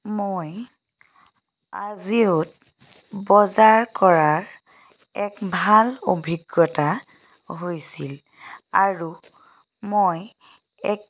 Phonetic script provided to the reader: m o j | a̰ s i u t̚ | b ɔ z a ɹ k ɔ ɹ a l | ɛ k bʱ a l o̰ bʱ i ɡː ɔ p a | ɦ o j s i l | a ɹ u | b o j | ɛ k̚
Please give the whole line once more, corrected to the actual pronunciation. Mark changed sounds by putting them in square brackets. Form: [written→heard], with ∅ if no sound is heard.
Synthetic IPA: m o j | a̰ [s→z] i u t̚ | b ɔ z a ɹ k ɔ ɹ a [l→ɹ] | ɛ k bʱ a l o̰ bʱ i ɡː ɔ [p→t] a | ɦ o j s i l | a ɹ u | [b→m] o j | ɛ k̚